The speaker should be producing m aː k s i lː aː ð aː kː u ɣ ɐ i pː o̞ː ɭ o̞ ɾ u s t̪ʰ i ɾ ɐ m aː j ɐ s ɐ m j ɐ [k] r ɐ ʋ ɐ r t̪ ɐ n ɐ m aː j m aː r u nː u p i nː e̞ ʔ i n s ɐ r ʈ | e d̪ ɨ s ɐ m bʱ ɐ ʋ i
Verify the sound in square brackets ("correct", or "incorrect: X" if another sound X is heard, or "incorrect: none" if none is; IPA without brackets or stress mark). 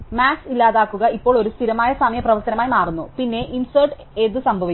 incorrect: p